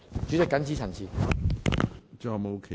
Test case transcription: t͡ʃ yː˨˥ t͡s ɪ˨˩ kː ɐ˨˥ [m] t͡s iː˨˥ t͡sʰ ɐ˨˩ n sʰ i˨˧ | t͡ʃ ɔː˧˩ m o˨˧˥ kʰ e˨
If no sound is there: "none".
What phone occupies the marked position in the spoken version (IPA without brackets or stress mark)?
n